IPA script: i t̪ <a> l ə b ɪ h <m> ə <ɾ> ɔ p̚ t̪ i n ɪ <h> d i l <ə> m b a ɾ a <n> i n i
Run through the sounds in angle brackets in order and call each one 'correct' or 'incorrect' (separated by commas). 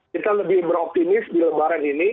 correct, incorrect, correct, incorrect, correct, correct